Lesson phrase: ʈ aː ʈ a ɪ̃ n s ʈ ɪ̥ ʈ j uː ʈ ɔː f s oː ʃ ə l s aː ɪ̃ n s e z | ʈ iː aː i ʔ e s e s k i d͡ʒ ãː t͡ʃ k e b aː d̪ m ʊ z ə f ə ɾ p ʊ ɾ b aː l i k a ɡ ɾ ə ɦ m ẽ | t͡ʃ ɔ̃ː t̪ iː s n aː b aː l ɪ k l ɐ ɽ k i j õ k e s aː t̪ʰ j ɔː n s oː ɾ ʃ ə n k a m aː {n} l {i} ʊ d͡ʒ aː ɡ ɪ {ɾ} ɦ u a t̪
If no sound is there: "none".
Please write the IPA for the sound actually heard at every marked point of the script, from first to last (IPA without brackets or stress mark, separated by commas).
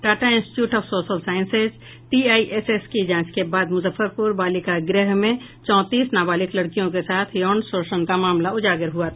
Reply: m, a, ɾ